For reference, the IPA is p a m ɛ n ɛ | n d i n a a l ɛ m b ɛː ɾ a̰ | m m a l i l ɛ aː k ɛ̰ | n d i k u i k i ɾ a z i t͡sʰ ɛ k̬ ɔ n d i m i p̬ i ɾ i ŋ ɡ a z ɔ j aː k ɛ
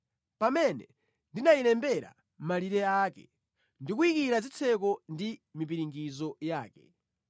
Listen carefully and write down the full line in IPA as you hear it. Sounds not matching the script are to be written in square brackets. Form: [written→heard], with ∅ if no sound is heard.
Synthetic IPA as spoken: p a m ɛ n ɛ | n d i n a [a→i] l ɛ m b [ɛː→ɛ] ɾ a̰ | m m a l i [l→ɾ] ɛ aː k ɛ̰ | n d i k u i k i ɾ a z i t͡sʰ ɛ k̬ ɔ n d i m i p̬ i ɾ i ŋ ɡ [a→i] z ɔ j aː k ɛ